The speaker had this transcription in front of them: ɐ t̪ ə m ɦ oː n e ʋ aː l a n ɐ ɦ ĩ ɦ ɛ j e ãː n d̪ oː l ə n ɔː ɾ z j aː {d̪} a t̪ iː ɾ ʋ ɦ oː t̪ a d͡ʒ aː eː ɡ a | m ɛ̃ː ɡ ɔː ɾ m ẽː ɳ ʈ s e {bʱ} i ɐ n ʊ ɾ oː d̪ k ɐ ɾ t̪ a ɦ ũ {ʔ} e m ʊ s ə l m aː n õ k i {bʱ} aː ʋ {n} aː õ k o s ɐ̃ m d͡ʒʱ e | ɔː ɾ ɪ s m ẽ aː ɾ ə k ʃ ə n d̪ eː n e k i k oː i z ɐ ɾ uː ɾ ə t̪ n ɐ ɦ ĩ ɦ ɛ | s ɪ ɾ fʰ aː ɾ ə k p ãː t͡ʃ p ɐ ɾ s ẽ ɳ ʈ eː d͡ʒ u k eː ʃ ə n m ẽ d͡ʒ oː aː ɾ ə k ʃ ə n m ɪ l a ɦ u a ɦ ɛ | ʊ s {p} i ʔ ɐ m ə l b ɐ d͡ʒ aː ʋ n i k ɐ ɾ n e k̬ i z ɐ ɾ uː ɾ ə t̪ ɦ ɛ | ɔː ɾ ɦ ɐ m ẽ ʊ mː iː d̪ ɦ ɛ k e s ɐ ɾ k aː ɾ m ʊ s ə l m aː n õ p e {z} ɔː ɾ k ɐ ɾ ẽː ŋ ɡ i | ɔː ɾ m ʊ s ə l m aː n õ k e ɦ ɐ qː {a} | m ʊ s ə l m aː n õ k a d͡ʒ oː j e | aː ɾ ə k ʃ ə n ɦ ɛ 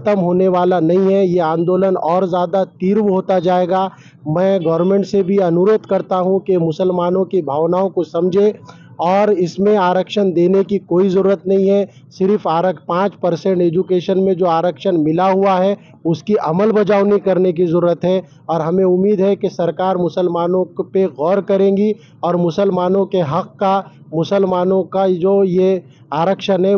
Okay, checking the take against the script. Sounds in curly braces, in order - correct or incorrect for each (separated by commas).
correct, correct, incorrect, correct, correct, incorrect, incorrect, correct